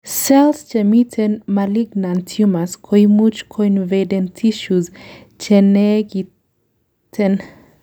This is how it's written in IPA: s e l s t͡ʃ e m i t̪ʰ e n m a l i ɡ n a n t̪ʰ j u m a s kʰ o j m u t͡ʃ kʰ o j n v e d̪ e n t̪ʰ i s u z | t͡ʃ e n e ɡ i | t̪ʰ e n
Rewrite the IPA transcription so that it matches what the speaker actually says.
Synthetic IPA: s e l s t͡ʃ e m i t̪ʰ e n m a l i ɡ n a n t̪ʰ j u m a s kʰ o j m u t͡ʃ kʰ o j n v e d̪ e n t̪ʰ i ʃ u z | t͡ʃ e n e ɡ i | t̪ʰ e n